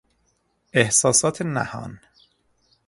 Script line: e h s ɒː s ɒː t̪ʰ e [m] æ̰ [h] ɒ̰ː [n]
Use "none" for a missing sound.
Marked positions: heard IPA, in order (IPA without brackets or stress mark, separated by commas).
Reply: n, h, n